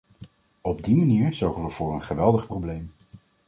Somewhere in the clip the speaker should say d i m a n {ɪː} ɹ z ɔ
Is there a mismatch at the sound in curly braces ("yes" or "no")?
yes